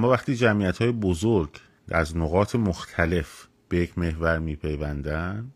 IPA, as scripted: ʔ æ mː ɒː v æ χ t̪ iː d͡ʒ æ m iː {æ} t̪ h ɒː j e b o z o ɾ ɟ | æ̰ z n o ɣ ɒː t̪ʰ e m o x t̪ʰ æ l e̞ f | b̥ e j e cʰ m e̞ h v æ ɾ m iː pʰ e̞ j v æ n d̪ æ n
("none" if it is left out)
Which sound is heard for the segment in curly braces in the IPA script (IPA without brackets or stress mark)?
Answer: æ